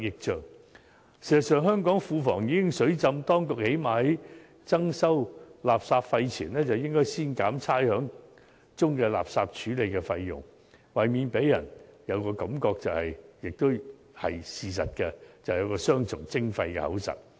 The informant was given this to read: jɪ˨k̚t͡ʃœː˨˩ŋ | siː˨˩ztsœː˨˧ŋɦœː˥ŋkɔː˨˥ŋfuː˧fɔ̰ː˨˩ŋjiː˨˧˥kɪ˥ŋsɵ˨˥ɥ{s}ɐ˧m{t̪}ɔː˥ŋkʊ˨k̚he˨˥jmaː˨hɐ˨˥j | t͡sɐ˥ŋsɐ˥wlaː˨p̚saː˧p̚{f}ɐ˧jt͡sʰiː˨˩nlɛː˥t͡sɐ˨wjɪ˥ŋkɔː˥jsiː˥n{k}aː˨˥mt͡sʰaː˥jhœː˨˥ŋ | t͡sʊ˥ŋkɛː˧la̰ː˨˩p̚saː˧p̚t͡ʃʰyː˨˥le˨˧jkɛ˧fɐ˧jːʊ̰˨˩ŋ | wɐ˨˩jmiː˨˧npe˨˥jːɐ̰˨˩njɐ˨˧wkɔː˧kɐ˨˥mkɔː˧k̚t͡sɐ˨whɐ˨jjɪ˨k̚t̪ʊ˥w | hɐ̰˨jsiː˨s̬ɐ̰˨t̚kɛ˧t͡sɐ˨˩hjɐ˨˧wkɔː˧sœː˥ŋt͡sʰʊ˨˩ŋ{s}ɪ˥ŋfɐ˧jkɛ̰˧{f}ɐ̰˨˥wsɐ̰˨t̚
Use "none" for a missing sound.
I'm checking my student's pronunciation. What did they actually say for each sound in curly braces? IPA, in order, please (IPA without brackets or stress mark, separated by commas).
t͡s, t̪, f, k, t͡s, h